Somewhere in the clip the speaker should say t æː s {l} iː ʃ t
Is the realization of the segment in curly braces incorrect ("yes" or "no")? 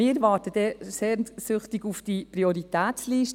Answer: no